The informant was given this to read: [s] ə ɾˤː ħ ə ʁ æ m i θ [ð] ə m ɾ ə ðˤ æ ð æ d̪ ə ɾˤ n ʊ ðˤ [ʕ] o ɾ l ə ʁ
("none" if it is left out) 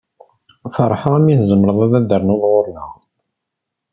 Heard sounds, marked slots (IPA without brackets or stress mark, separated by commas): f, z, ʁ